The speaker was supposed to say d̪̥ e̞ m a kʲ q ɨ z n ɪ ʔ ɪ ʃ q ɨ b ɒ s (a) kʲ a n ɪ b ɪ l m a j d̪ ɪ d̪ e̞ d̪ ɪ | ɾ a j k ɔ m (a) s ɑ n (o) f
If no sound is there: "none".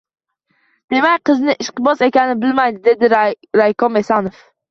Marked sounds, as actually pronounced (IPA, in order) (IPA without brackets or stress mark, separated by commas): e, e, o